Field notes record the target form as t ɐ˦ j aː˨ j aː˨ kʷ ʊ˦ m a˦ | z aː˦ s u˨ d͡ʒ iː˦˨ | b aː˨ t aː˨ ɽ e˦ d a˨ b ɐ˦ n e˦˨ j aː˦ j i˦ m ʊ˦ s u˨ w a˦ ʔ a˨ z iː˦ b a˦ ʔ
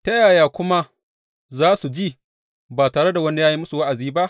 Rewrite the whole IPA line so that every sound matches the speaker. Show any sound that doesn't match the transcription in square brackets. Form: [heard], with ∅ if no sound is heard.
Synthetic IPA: t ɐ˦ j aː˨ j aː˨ kʷ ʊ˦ m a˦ | z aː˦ s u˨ d͡ʒ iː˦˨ | b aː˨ t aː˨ ɽ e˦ d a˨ [w] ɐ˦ n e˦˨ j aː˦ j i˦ m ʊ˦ s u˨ w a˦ ʔ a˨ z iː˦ b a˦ ʔ